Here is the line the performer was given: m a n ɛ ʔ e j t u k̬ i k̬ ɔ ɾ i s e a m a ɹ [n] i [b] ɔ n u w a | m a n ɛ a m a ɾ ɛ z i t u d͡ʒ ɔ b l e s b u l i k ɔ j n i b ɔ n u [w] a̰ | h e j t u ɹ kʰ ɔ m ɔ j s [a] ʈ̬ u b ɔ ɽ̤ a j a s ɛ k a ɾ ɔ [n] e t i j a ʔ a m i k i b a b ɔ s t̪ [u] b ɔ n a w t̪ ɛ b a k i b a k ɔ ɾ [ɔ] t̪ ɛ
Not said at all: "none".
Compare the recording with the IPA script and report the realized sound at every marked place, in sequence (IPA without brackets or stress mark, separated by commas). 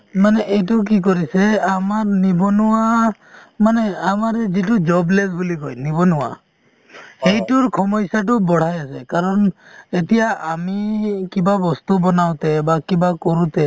n, b, w, a, n, u, u